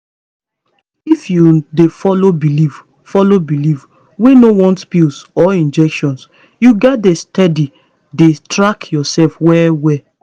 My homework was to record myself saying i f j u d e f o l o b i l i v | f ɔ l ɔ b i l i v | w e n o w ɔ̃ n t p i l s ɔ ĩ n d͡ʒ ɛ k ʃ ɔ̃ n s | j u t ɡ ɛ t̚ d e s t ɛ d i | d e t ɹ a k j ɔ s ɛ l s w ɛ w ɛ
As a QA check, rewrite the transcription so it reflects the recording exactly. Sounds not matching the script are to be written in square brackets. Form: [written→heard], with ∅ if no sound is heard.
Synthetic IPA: i f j u d e f [o→ɔ] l o b i l i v | f ɔ l [ɔ→o] b i l i v | w e n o w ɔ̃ n t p i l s ɔ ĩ n d͡ʒ ɛ k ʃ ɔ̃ n s | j u [t→∅] ɡ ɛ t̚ d e s t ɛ d i | d e t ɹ a k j ɔ s ɛ l [s→f] w ɛ w ɛ